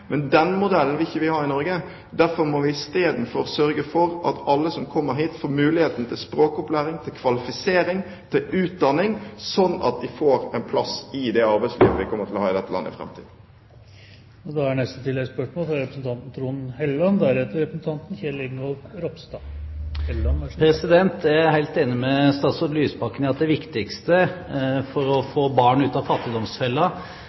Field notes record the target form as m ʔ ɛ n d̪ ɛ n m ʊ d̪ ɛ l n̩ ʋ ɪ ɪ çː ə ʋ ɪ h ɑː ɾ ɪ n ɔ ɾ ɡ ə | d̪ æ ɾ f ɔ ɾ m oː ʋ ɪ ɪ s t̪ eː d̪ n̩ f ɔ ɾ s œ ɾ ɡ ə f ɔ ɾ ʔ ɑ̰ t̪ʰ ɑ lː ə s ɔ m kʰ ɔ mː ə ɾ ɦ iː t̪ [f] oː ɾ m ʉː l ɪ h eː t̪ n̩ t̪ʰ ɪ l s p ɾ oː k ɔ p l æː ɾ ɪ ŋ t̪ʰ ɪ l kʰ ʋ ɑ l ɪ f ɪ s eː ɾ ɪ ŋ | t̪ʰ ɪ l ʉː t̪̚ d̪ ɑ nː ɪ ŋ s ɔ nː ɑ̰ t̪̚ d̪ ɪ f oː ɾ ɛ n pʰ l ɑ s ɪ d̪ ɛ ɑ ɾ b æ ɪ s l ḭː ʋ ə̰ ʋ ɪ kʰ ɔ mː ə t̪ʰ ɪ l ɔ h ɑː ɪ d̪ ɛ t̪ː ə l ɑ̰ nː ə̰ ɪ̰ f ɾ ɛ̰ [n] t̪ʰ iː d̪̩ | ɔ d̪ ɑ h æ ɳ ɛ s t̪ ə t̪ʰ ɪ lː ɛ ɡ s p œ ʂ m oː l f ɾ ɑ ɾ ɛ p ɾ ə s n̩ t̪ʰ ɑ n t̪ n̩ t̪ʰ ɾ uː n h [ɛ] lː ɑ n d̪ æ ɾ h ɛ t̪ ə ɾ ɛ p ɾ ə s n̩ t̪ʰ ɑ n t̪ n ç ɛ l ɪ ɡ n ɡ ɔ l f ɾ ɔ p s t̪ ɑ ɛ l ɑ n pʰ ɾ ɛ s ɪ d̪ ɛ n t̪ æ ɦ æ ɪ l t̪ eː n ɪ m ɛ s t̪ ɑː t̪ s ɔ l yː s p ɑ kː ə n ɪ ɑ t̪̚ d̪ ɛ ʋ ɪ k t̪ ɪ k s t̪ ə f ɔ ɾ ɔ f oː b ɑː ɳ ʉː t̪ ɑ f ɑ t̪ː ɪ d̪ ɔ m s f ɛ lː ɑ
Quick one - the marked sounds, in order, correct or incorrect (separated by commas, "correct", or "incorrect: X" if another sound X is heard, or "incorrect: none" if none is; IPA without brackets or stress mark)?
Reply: correct, incorrect: m, correct